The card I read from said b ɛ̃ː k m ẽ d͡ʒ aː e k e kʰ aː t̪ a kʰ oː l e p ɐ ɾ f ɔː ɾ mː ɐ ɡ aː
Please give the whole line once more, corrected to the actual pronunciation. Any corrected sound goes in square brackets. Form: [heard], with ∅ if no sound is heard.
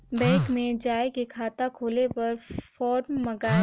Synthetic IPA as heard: b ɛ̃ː k m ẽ d͡ʒ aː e k e kʰ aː t̪ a kʰ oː l e p ɐ ɾ f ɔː ɾ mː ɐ ɡ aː